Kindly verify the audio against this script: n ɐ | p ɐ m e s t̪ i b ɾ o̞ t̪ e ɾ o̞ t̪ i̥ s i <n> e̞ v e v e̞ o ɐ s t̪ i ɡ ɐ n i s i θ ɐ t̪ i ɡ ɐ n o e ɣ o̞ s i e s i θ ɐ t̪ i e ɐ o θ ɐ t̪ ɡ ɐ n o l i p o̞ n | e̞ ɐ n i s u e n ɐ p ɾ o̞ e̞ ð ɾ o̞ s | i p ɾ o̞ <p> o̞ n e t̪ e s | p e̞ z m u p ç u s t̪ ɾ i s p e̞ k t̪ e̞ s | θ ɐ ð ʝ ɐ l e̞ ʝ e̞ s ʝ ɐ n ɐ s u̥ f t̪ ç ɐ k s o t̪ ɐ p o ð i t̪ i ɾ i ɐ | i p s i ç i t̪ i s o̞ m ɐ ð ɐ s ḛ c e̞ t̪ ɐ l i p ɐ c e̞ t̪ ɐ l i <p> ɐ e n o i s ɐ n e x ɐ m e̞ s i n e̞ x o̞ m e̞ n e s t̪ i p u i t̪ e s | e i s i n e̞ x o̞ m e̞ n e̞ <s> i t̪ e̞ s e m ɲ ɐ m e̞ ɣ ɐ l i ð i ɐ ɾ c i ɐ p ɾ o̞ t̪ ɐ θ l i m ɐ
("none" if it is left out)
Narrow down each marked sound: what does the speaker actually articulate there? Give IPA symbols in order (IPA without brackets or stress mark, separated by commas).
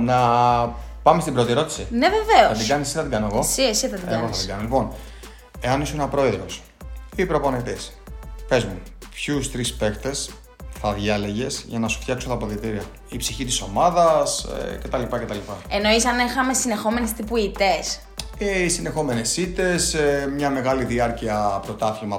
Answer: n, p, p, s